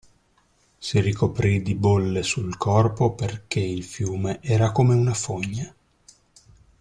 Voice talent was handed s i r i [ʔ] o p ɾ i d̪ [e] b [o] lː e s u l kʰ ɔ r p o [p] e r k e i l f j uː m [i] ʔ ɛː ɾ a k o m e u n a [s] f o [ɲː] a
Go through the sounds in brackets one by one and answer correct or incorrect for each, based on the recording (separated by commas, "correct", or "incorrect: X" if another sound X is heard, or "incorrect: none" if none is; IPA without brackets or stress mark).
incorrect: k, incorrect: i, correct, correct, incorrect: e, incorrect: none, correct